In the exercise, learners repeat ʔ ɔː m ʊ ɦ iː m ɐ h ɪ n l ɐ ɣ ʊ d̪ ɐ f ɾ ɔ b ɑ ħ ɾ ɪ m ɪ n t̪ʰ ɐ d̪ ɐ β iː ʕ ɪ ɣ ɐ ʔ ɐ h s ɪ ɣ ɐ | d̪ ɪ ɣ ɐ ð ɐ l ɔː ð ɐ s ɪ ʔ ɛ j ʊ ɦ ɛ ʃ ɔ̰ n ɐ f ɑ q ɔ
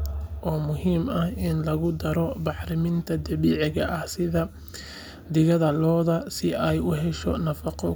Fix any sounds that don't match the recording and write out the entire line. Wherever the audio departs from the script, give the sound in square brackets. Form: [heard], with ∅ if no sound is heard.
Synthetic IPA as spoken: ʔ ɔː m ʊ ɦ iː m ɐ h ɪ n l ɐ ɣ ʊ d̪ ɐ [∅] ɾ ɔ b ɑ ħ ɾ ɪ m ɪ n t̪ʰ ɐ d̪ ɐ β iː ʕ ɪ ɣ ɐ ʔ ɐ h s ɪ [ð] ɐ | d̪ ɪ ɣ ɐ ð ɐ l ɔː ð ɐ s ɪ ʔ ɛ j ʊ ɦ ɛ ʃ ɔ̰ n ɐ f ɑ q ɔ